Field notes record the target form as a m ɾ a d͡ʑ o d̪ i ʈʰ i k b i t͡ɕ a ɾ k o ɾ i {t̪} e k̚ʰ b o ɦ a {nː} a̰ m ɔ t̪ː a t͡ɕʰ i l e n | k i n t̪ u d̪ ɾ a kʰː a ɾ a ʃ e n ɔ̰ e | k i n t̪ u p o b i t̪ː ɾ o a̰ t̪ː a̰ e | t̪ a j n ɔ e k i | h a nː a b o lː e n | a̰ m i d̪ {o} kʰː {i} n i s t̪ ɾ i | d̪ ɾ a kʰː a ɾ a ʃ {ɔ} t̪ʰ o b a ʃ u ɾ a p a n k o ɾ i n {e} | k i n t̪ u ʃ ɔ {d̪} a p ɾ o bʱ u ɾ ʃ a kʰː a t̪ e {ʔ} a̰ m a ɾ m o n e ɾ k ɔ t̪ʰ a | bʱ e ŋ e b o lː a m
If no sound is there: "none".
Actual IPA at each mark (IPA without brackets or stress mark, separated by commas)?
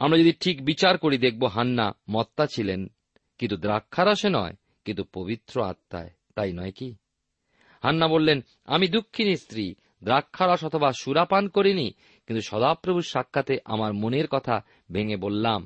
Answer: d̪, nː, u, i, ɔ, i, d̪, ʔ